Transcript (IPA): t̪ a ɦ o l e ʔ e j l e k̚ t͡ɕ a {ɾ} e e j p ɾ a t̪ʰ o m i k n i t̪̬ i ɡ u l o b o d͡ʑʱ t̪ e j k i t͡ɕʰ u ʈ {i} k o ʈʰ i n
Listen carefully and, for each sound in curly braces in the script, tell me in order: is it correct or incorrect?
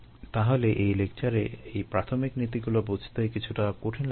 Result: correct, incorrect

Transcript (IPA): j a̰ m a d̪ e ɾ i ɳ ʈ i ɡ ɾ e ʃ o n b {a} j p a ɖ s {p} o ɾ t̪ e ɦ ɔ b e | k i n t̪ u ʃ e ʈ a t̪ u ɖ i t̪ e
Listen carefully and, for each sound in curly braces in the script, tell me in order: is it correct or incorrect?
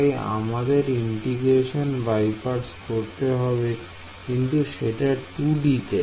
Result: correct, incorrect

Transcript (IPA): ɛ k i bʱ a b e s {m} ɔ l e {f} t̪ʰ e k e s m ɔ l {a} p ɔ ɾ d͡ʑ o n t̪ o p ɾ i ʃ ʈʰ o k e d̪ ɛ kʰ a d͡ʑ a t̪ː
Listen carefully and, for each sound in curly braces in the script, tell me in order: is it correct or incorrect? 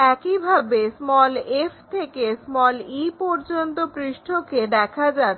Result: correct, correct, incorrect

